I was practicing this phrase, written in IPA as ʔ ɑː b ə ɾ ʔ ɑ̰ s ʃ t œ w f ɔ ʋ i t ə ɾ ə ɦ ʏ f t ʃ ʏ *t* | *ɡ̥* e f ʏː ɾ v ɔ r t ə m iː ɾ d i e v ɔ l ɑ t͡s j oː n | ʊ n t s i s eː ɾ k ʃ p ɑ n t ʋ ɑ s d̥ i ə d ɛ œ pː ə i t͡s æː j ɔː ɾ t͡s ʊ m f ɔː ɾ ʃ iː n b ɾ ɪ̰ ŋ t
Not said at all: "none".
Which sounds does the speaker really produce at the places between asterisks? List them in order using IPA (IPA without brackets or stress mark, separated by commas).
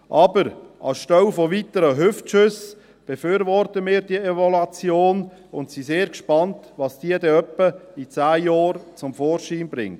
s, b̥